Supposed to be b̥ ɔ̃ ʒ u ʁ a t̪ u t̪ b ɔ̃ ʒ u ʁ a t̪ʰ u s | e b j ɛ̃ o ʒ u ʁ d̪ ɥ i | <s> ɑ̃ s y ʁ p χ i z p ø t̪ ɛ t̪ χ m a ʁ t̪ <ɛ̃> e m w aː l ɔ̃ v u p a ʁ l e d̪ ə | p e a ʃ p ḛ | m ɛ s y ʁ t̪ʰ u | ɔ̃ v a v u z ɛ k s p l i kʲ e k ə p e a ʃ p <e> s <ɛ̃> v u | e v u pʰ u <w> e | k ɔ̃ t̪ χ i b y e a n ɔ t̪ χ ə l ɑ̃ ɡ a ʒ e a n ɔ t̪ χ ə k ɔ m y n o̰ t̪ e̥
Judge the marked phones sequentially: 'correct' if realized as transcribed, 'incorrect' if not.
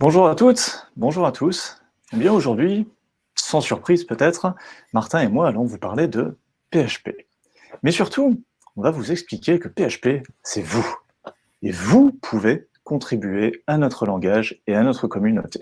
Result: correct, correct, correct, incorrect, incorrect

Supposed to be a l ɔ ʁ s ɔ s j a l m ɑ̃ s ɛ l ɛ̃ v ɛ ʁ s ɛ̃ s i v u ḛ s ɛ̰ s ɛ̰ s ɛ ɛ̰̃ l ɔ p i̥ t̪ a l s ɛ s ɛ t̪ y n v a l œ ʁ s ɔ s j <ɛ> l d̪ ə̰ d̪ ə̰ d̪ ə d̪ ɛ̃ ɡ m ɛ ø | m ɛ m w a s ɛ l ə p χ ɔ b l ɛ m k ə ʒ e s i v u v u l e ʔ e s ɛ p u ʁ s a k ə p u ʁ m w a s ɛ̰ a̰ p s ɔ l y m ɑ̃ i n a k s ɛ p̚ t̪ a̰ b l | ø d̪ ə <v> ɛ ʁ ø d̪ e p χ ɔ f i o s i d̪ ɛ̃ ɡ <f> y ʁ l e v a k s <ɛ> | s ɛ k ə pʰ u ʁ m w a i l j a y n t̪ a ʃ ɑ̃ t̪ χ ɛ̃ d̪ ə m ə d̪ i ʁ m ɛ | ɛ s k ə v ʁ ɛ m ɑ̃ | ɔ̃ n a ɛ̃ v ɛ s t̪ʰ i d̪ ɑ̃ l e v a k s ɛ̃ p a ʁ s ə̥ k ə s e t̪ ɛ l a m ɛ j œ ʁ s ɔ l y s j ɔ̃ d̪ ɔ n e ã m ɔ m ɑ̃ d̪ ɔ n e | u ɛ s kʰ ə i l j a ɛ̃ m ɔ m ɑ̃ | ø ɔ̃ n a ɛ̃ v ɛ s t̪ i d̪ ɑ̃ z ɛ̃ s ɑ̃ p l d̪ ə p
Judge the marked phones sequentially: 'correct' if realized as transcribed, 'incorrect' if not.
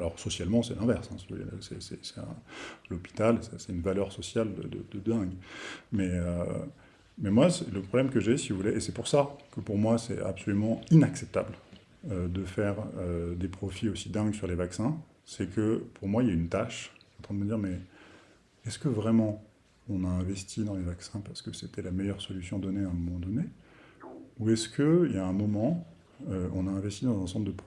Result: incorrect, incorrect, incorrect, incorrect

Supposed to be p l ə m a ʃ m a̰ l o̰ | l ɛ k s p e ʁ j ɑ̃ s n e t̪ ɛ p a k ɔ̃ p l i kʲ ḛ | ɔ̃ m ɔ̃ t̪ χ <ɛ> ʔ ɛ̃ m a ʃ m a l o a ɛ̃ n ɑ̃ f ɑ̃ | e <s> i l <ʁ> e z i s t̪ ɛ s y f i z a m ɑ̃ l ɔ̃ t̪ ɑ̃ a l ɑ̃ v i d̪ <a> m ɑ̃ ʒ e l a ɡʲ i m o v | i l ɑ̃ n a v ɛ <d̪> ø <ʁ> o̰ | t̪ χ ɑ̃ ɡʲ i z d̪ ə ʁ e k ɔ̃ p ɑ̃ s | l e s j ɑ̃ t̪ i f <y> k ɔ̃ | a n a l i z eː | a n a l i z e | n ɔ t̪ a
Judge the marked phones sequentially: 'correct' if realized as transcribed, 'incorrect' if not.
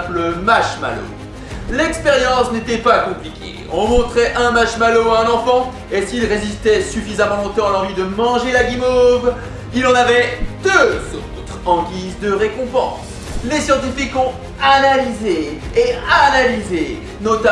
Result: correct, correct, correct, incorrect, correct, incorrect, incorrect

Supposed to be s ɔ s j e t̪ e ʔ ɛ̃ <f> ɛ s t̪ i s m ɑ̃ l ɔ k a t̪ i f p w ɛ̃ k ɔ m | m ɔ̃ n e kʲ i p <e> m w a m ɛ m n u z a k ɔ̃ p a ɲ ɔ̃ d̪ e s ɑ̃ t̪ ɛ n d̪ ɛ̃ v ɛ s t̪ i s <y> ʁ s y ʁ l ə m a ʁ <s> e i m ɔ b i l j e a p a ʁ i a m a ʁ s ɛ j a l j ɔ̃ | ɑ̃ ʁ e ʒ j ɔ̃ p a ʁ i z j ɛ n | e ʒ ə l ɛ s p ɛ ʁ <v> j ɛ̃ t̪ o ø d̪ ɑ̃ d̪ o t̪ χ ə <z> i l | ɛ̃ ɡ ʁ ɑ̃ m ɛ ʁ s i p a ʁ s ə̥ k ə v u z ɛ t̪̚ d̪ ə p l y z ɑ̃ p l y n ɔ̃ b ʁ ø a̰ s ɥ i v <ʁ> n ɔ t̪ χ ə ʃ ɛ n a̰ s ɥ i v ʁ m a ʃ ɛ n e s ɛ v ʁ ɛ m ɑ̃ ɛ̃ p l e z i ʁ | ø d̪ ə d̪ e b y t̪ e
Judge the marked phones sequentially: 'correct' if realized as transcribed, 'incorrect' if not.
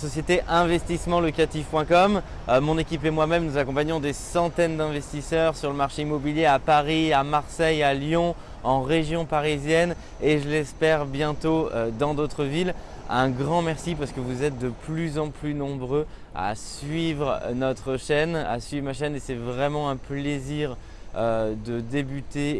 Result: incorrect, correct, incorrect, incorrect, incorrect, incorrect, correct

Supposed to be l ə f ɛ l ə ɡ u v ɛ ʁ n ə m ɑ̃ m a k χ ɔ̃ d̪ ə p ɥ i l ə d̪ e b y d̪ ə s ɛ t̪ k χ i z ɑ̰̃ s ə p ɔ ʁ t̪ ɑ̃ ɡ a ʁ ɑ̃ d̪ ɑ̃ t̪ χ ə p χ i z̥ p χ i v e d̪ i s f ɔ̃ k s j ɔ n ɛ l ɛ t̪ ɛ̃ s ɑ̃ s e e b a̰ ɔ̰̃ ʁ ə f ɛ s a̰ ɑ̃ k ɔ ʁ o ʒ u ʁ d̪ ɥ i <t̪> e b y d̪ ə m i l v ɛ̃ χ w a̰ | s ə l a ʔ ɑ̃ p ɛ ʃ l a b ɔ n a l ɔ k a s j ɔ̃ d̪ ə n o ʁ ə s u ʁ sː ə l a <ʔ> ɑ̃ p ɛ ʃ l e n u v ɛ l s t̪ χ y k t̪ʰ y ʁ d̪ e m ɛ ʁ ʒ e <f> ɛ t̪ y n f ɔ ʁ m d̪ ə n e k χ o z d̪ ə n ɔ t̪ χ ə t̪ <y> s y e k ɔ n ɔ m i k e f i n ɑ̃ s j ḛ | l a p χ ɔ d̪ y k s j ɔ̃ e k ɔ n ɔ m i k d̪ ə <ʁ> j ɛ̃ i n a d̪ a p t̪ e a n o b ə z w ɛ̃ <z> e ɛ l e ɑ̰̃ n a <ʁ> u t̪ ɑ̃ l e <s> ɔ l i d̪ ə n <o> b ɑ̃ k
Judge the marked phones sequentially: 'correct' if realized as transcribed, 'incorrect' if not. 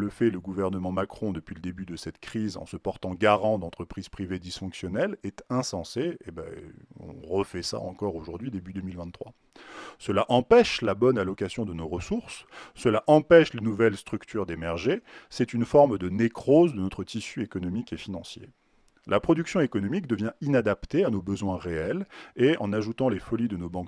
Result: incorrect, correct, incorrect, incorrect, incorrect, incorrect, incorrect, incorrect, correct

